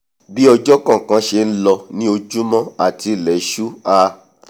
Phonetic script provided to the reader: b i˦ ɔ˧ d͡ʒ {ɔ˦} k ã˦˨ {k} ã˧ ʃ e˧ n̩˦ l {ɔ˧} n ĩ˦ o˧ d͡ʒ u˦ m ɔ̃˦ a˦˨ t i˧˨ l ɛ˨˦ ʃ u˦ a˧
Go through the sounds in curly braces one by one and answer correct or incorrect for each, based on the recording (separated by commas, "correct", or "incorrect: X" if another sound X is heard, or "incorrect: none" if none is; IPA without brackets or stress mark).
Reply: correct, correct, correct